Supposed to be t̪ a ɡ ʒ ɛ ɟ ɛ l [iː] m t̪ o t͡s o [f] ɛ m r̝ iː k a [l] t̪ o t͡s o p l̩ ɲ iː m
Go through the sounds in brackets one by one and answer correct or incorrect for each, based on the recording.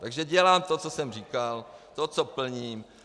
incorrect: aː, incorrect: s, correct

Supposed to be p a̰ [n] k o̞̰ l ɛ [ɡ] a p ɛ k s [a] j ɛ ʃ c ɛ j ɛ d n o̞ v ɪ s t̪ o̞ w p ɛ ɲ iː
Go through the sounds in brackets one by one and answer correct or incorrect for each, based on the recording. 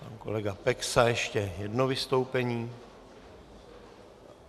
correct, correct, correct

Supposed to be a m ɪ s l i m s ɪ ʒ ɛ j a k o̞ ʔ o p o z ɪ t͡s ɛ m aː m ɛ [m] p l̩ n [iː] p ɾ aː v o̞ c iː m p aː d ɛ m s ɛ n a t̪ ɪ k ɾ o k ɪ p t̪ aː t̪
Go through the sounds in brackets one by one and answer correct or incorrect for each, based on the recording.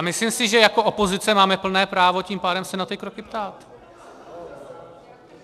incorrect: none, incorrect: ɛː

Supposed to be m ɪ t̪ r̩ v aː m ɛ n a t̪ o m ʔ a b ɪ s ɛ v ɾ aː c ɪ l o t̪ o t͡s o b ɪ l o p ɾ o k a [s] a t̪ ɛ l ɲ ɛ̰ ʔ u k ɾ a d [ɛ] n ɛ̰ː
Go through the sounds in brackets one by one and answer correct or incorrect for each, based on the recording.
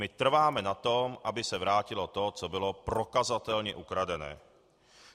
incorrect: z, correct

